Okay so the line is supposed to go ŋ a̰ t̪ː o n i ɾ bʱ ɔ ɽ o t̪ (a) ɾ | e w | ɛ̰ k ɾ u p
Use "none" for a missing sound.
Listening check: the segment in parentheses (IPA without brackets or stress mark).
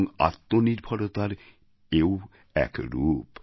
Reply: a